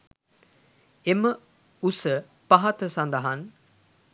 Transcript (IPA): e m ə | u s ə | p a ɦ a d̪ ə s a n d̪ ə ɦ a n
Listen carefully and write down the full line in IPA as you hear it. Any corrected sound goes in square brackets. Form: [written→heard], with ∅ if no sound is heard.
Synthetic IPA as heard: e m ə | u s ə | p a ɦ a [d̪→t̪] ə s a n d̪ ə ɦ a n